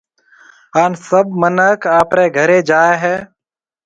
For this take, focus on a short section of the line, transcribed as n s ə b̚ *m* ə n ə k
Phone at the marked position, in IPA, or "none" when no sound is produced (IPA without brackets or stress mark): m